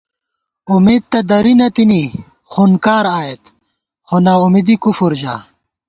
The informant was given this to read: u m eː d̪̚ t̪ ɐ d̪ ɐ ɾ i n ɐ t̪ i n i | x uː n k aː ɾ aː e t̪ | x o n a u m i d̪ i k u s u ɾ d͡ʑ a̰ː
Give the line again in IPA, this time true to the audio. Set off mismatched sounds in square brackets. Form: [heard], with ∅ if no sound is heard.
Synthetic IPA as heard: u m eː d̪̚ t̪ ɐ d̪ ɐ ɾ i n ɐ t̪ i n i | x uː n k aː ɾ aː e t̪ | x o n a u m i d̪ i k u [f] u ɾ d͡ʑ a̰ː